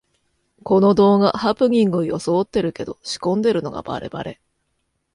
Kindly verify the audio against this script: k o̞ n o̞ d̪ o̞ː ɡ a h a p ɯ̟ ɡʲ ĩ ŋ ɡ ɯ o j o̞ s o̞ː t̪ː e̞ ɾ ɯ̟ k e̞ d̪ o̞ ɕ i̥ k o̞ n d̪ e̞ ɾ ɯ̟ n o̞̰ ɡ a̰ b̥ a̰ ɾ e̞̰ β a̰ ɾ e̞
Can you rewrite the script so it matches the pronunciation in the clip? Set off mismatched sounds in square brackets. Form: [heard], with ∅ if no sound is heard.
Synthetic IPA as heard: k o̞ n o̞ d̪ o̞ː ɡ a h a p ɯ̟ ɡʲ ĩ ŋ ɡ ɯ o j o̞ s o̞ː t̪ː e̞ ɾ ɯ̟ k e̞ d̪ o̞ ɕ i̥ k [õ̞] n d̪ e̞ ɾ ɯ̟ n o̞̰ ɡ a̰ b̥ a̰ ɾ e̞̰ [b] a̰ ɾ e̞